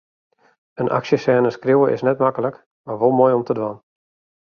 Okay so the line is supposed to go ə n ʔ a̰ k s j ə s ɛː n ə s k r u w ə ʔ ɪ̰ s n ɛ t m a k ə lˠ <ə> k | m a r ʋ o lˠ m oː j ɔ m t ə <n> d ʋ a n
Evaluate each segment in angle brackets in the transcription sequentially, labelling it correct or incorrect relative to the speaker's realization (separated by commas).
correct, incorrect